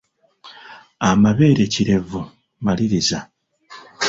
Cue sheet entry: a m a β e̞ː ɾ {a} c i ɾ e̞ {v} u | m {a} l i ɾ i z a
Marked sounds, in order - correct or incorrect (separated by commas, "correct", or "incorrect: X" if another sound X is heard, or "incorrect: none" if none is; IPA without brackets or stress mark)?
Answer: incorrect: e, correct, correct